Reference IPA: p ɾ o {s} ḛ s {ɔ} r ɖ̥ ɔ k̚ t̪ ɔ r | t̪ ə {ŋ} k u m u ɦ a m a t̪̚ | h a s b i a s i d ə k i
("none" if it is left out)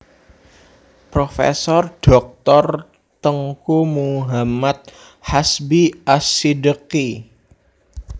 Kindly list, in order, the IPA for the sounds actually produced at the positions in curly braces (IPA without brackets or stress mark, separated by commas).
f, ɔ, ŋ